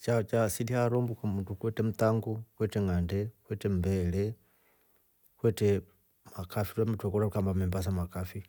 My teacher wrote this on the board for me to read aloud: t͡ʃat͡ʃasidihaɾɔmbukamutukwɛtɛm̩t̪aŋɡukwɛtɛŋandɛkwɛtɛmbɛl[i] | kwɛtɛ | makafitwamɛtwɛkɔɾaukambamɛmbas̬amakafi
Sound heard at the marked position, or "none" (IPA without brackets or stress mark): ɛ